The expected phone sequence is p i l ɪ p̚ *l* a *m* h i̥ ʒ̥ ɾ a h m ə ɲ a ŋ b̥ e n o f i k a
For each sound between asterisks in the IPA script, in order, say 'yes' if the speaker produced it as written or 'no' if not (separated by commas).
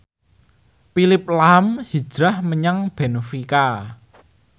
yes, yes